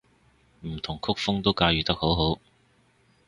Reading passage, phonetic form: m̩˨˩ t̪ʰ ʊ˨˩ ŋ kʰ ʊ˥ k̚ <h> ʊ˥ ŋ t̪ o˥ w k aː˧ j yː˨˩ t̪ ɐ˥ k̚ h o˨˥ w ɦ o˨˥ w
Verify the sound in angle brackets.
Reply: incorrect: f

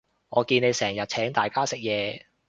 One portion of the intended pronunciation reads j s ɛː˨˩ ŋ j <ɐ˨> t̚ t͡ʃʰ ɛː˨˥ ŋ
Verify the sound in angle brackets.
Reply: correct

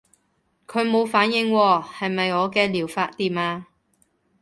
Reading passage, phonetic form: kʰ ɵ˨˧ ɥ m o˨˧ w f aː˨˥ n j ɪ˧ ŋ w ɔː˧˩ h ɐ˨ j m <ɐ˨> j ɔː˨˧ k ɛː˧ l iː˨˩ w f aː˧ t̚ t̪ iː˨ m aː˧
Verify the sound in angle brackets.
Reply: correct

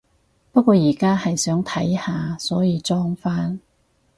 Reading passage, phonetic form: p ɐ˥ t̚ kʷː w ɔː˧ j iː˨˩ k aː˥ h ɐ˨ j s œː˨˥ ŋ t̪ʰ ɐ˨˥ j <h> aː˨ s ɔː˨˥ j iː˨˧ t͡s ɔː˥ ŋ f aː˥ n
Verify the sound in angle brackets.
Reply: correct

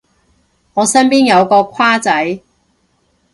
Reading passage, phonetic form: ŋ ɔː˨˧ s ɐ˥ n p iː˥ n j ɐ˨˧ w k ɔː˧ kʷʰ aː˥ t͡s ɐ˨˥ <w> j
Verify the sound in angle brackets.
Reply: incorrect: none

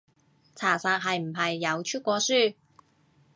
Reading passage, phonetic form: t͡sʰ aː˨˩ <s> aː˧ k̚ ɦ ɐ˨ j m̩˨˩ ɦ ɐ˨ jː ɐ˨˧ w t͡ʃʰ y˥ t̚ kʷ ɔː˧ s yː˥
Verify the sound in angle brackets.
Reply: correct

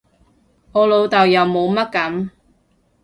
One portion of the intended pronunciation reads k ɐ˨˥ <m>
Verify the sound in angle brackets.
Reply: correct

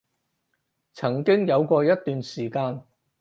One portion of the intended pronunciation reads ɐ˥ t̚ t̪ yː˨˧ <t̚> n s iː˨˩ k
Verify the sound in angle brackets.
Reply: incorrect: none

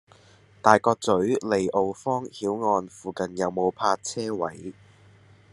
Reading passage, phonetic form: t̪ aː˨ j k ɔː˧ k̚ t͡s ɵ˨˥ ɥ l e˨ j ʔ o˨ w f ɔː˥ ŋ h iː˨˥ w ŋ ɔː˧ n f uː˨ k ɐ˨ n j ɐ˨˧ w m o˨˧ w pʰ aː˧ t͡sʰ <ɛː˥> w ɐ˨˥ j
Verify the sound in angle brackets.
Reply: correct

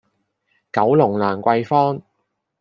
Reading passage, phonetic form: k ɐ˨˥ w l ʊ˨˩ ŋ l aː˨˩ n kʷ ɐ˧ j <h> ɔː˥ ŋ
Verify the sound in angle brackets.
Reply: incorrect: f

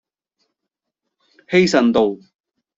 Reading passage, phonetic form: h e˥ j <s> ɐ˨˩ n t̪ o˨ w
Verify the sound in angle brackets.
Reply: correct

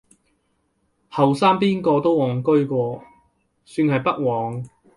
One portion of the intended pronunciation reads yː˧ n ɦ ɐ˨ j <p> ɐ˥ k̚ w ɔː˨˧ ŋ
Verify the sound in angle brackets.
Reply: correct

